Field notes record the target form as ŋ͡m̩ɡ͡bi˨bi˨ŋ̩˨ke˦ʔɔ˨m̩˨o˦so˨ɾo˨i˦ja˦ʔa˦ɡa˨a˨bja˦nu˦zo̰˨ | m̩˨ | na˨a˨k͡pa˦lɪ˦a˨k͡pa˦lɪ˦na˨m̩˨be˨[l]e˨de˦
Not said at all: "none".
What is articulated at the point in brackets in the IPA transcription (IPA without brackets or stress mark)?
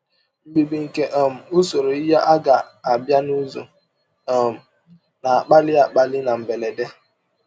l